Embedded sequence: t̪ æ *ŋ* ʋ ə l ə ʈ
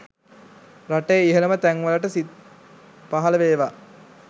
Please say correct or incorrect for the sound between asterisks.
correct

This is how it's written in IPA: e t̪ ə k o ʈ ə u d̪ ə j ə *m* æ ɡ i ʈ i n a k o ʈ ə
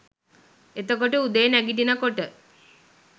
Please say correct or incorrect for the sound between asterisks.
incorrect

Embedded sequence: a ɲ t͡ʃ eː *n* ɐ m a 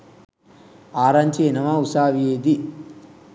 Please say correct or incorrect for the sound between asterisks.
correct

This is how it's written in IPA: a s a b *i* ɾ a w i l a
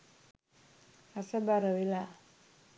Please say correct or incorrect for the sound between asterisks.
incorrect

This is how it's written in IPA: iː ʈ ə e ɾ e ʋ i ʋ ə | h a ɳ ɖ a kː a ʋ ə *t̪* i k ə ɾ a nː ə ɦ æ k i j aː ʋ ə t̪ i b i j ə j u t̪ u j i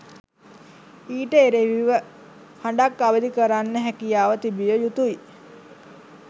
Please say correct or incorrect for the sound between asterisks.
incorrect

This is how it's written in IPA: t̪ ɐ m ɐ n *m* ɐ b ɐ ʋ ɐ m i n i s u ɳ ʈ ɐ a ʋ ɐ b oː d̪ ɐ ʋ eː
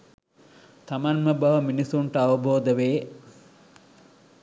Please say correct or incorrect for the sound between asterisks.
correct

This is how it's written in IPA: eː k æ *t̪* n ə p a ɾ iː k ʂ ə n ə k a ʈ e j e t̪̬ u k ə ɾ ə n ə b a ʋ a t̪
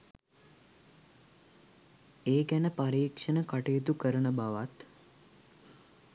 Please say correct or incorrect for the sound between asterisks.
incorrect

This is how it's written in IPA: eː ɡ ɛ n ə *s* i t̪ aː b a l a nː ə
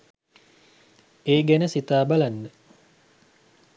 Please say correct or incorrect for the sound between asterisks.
correct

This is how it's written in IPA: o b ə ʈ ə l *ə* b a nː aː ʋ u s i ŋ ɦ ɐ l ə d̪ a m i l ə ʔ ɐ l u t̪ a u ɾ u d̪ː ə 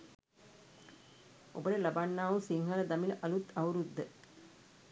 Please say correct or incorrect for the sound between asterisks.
incorrect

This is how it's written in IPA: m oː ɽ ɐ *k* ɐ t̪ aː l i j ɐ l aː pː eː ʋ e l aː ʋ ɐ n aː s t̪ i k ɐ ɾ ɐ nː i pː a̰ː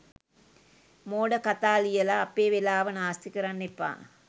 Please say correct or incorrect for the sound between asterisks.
correct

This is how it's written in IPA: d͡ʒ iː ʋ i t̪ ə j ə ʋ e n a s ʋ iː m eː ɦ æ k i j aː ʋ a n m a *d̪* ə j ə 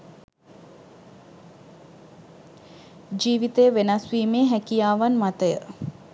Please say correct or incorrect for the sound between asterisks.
incorrect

